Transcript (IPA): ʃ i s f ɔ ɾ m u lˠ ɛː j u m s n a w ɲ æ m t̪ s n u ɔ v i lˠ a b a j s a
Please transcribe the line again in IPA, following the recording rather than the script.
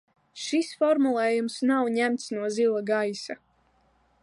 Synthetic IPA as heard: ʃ i s f ɔ ɾ m u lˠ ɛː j u m s n a w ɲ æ m t̪ s n u ɔ z i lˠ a ɡ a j s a